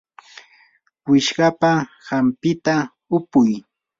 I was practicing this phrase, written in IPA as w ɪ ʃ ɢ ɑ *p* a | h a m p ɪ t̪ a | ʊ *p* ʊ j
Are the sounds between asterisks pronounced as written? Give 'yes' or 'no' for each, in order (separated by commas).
yes, yes